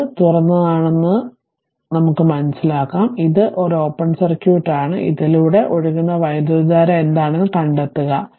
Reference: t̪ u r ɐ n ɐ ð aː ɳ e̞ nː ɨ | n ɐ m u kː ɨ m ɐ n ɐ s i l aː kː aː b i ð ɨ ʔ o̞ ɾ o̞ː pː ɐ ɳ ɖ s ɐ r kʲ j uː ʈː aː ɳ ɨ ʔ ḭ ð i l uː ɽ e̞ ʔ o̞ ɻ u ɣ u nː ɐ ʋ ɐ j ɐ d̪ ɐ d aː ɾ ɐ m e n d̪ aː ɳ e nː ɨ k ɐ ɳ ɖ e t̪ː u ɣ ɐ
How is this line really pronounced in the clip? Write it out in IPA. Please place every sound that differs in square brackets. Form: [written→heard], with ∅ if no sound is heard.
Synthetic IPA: t̪ u r ɐ [n→nː] ɐ ð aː ɳ e̞ nː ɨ | n ɐ m u kː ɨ m ɐ n ɐ s i l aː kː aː [b→m] i ð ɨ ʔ o̞ ɾ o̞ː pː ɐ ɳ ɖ s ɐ r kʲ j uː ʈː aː ɳ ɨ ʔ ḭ ð i l uː ɽ e̞ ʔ o̞ ɻ u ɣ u nː ɐ ʋ ɐ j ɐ d̪ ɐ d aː ɾ ɐ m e n d̪ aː ɳ e nː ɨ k ɐ ɳ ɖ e t̪ː u ɣ ɐ